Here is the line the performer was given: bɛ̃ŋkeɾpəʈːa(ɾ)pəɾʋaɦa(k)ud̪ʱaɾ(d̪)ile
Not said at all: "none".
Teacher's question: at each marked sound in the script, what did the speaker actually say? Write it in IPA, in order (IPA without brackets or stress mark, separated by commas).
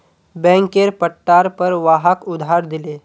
ɾ, k, d̪